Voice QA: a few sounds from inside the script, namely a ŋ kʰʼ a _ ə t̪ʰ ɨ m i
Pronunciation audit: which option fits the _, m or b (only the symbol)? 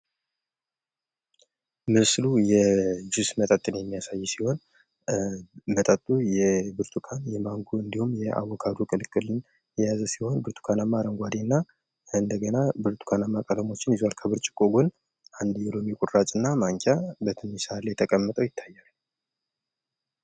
b